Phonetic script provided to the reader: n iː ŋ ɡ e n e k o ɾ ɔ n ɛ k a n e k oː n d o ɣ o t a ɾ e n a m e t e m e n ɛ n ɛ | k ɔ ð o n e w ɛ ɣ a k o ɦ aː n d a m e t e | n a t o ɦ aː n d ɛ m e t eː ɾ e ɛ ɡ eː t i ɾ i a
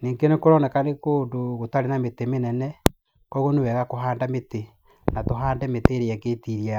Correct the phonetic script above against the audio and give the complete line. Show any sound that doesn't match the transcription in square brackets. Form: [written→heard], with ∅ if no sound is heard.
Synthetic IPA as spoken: n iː ŋ ɡ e n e k o ɾ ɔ n ɛ k a n e k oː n d o ɣ o t a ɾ e n a m e t e m e n ɛ n ɛ | k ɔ [ð→ɣ] o n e w ɛ ɣ a k o ɦ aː n d a m e t e | n a t o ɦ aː n d ɛ m e t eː ɾ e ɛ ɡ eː t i ɾ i a